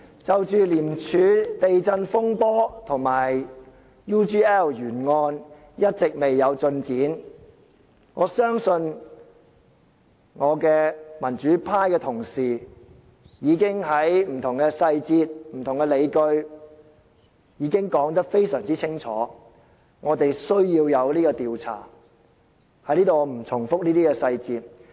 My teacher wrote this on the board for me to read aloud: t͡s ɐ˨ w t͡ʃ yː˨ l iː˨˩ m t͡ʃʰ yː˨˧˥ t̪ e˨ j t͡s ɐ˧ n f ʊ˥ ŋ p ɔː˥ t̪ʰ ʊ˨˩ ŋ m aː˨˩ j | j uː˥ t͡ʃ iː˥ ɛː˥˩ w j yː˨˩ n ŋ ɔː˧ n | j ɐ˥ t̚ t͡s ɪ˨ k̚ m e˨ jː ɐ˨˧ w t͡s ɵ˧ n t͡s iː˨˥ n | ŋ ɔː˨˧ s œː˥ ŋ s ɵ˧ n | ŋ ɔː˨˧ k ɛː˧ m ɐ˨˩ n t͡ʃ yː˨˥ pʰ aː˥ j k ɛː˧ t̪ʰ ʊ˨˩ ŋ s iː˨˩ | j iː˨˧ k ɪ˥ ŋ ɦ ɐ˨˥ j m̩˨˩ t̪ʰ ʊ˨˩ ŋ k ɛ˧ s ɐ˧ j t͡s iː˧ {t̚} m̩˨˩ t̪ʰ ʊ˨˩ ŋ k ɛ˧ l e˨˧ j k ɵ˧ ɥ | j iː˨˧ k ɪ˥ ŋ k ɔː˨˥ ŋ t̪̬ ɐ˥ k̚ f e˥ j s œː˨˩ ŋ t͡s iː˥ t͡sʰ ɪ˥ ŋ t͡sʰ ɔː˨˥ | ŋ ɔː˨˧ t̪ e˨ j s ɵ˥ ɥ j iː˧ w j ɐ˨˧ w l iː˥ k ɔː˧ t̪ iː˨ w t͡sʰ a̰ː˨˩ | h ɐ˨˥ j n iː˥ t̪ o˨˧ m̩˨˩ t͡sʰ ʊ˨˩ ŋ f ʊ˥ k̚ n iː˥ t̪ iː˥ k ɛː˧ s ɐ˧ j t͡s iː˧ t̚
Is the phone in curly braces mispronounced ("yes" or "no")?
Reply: no